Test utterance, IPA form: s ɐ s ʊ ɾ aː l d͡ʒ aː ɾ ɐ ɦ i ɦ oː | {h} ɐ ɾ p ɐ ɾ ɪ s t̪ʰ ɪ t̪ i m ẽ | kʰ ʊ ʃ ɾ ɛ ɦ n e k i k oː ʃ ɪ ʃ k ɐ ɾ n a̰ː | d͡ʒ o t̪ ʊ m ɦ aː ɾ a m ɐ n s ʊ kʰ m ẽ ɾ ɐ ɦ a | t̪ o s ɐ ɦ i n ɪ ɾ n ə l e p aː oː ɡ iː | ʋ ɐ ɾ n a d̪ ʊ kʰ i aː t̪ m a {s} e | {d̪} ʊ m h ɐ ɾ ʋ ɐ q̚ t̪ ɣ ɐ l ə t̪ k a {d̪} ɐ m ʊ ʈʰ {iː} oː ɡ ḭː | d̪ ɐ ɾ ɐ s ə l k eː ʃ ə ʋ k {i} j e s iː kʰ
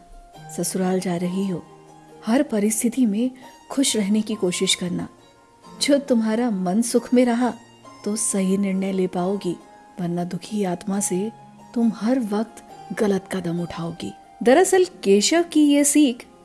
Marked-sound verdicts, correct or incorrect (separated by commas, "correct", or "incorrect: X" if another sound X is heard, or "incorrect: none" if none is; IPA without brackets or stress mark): correct, correct, incorrect: t̪, correct, incorrect: aː, correct